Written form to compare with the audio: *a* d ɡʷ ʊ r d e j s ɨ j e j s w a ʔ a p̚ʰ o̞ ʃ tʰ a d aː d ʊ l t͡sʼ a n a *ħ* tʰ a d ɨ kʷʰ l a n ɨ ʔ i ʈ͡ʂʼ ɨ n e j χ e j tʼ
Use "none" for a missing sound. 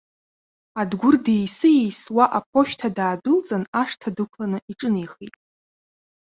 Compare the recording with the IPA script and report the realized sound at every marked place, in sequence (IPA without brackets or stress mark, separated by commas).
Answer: a, ʂ